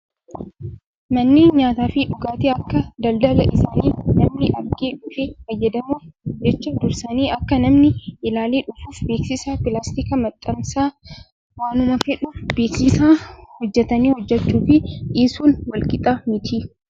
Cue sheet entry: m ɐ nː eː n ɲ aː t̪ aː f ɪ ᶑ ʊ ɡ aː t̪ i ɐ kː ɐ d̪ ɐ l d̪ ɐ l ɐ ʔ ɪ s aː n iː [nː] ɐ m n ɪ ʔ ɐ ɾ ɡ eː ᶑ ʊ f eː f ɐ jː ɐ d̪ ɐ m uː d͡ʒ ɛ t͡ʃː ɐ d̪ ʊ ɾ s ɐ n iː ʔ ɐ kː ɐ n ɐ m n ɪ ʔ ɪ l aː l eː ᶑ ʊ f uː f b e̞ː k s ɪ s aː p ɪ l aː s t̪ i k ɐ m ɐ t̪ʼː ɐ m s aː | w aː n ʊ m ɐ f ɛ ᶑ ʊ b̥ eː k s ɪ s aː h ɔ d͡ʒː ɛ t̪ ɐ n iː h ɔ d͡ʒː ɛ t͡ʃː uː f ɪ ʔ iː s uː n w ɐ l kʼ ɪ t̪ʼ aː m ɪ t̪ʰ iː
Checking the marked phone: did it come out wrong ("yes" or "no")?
yes